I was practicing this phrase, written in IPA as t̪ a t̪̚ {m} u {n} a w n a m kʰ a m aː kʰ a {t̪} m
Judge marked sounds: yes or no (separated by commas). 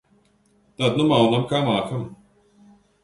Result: no, no, no